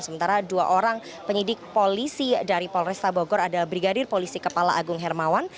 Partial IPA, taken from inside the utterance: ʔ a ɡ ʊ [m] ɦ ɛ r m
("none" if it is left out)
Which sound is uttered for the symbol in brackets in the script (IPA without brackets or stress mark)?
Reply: ŋ